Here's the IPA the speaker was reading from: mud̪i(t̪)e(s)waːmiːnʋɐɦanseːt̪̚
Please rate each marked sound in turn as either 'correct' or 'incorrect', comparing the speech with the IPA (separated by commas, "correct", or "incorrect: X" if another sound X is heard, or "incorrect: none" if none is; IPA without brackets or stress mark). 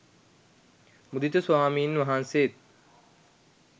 correct, correct